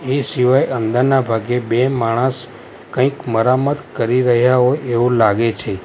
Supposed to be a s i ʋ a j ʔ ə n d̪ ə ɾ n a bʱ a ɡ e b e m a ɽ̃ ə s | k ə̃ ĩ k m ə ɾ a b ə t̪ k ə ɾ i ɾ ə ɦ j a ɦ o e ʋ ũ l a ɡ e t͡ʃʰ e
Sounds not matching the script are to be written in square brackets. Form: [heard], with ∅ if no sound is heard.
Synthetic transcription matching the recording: [e] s i ʋ a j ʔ ə n d̪ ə ɾ n a bʱ a ɡ e b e m a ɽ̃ ə s | k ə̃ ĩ k m ə ɾ a [m] ə t̪ k ə ɾ i ɾ ə ɦ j a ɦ o e ʋ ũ l a ɡ e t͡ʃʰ e